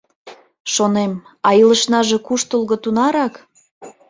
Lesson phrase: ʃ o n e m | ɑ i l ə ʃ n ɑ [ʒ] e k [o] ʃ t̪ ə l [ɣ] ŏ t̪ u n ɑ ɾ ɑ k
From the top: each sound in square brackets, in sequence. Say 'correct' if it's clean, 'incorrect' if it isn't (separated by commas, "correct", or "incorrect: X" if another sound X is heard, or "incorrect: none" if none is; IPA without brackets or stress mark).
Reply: correct, incorrect: u, correct